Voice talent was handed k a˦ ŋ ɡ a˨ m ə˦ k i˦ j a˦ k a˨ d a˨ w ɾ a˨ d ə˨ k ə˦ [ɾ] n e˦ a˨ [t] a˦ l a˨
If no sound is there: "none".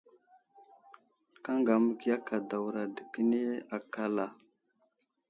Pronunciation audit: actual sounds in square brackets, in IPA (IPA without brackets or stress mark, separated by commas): none, k